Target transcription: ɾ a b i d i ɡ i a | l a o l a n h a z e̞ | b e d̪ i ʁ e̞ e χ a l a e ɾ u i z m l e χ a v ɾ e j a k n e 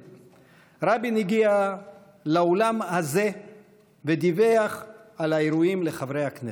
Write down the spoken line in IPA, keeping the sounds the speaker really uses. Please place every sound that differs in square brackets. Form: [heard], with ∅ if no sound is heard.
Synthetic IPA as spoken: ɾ a b i [n] i ɡ i a | l a o l a [m] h a z e̞ | [v] e d̪ i [v] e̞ [a] χ a l a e ɾ u i [∅] m l e χ a v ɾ e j a k n e

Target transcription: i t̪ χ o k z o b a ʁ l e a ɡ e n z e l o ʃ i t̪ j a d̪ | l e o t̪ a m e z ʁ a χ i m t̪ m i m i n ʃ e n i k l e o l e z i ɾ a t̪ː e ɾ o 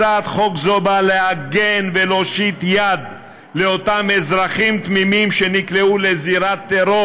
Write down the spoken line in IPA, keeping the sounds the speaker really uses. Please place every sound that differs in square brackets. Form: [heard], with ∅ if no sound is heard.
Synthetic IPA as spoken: [a] t̪ χ o k z o b a [∅] l e a ɡ e n [v] e l o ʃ i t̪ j a d̪ | l e o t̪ a m e z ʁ a χ i m t̪ m i m i [m] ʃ e n i k l e [u] l e z i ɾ a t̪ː e ɾ o

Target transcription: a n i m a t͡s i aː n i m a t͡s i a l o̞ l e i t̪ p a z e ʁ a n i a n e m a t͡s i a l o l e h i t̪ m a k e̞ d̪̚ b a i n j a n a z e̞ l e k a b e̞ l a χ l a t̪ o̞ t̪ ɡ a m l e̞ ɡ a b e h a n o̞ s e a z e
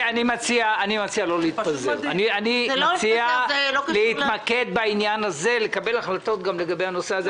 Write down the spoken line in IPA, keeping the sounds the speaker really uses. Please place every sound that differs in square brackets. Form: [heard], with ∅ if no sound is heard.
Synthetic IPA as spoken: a n i m a t͡s i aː n i m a t͡s i a l o̞ l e i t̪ p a z e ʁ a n i a n [i] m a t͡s i a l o l e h i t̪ m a k e̞ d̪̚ b a i n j a n a z e̞ l e k a b e̞ l a χ l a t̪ o̞ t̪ ɡ a m l e̞ ɡ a b e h a n o̞ s e a z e

